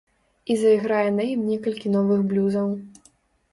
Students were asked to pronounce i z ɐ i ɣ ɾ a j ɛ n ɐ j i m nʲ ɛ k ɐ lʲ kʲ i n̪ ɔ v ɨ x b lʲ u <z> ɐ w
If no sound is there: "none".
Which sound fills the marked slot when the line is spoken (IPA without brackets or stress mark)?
z